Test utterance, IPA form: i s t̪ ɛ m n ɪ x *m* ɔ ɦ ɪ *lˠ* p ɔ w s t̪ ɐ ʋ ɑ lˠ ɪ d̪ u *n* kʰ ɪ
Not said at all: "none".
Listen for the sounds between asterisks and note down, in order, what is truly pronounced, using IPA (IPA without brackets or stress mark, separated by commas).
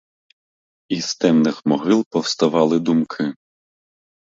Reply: m, lˠ, m